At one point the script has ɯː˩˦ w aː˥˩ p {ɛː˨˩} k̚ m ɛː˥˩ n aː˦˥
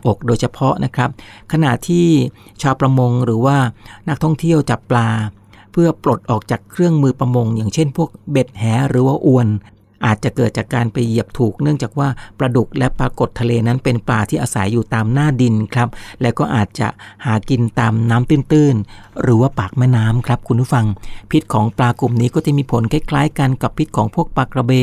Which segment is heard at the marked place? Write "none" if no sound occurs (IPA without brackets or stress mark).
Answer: aː˨˩